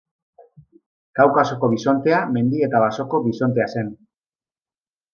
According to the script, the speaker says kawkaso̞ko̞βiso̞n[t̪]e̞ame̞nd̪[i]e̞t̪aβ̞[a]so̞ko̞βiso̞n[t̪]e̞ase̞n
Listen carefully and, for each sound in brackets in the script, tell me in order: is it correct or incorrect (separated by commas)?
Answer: correct, correct, correct, correct